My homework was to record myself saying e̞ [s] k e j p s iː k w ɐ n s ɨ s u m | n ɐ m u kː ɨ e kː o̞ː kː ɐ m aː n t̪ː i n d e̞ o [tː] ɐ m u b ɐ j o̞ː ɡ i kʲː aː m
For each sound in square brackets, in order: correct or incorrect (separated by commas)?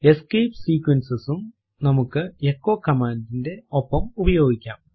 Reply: correct, incorrect